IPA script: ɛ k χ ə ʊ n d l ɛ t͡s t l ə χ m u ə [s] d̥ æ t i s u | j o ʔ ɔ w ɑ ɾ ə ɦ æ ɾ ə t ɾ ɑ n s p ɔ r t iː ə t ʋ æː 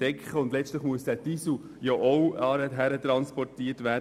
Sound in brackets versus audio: correct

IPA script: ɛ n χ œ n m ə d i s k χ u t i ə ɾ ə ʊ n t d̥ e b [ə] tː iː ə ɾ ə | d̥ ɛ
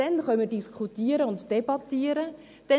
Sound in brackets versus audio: incorrect: ɑ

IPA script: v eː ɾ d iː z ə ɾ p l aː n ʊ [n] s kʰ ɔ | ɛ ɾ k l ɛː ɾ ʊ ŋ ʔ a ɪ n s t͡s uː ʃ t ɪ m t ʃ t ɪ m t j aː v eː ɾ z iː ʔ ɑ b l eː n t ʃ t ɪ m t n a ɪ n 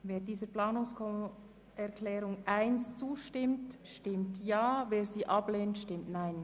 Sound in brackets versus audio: incorrect: ŋ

